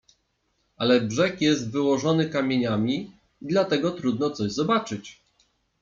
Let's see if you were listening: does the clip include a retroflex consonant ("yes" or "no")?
yes